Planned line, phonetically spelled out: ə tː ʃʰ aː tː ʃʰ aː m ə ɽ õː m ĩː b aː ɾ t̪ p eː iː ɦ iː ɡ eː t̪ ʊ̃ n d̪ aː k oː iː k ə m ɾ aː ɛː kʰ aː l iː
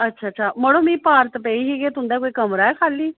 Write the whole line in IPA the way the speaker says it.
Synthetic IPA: ə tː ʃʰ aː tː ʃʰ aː m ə ɽ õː m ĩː p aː ɾ t̪ p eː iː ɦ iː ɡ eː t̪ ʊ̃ n d̪ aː k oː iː k ə m ɾ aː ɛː kʰ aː l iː

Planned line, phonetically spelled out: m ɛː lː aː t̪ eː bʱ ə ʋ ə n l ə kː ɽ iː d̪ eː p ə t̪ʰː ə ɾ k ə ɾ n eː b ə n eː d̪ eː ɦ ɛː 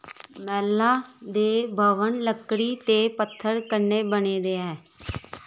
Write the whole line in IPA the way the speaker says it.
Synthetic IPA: m ɛː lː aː d̪ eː bʱ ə ʋ ə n l ə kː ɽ iː t̪ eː p ə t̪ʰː ə ɾ k ə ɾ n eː b ə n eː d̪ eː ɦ ɛː

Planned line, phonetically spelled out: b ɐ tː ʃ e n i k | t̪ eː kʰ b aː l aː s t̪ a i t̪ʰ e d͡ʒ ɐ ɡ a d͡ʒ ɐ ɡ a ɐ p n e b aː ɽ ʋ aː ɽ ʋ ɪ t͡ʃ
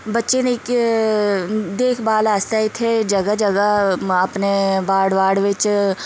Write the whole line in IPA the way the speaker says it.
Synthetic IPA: b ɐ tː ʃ e n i k | d̪ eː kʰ b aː l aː s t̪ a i t̪ʰ e d͡ʒ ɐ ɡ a d͡ʒ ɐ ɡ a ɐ p n e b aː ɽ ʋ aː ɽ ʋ ɪ t͡ʃ

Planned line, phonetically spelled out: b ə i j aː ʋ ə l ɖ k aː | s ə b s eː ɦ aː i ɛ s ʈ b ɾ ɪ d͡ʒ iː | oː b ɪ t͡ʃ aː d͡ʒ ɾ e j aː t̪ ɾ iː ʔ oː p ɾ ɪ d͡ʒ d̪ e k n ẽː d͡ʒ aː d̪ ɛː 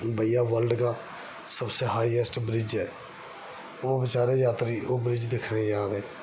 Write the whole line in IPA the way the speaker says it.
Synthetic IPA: b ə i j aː ʋ ə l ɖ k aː | s ə b s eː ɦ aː i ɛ s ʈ b ɾ ɪ d͡ʒ ɛː | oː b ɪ t͡ʃ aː ɾ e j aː t̪ ɾ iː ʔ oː b ɾ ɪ d͡ʒ d̪ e kʰ n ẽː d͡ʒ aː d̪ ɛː

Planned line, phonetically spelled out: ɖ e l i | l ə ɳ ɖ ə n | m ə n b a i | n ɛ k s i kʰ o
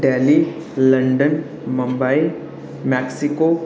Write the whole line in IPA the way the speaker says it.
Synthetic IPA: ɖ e l i | l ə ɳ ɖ ə n | m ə m b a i | m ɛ k s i k o

